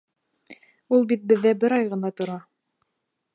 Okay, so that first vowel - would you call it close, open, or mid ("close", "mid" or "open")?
close